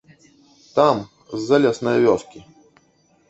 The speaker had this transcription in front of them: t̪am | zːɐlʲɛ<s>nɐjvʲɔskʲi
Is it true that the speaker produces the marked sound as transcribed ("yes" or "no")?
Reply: yes